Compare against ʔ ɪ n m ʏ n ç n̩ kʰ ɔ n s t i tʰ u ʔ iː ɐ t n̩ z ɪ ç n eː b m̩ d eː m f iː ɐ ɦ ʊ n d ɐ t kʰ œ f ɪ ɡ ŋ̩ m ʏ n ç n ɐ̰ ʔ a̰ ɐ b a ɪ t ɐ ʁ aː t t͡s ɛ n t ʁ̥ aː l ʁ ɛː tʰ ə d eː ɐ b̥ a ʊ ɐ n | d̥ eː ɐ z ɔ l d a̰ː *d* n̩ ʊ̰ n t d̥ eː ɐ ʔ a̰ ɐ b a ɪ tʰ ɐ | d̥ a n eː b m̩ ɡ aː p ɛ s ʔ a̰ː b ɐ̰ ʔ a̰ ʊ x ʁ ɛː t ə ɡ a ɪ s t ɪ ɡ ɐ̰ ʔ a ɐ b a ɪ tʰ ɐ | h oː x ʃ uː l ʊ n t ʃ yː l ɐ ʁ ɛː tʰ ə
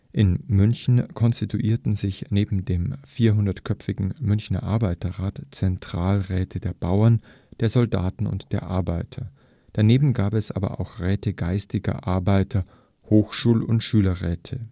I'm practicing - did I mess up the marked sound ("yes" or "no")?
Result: yes